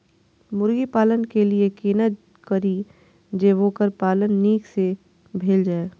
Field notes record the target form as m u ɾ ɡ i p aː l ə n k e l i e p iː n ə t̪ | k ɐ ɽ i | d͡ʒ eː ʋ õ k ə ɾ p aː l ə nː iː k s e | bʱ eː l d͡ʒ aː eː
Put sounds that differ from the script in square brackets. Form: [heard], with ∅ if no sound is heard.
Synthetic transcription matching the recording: m [ʊ] ɾ ɡ i p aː l ə n k e l i e [k] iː n ə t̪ | k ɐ [ɾ] i | d͡ʒ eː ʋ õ k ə ɾ p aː l ə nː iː k s e | bʱ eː l d͡ʒ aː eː